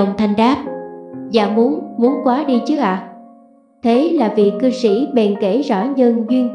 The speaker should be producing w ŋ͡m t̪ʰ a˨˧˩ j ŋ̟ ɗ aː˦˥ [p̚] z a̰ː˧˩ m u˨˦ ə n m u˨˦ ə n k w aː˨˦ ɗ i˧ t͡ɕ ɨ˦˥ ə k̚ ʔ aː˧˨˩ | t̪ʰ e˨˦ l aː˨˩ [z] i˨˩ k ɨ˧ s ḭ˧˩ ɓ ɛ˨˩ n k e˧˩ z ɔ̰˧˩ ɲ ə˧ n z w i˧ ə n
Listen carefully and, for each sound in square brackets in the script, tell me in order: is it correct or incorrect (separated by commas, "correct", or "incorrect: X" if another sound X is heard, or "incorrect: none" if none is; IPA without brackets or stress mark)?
correct, incorrect: v